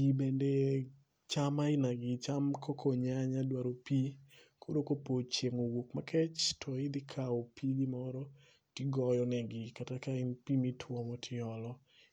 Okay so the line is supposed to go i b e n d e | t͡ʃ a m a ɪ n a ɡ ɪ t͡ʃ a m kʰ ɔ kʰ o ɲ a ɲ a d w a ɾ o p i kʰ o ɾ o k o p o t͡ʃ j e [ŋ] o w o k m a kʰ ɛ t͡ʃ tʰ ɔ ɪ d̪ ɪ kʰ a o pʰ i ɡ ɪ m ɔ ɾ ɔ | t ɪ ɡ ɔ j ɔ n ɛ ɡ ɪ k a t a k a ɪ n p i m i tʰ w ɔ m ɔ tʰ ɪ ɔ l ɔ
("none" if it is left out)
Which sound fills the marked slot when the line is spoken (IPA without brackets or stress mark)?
ŋ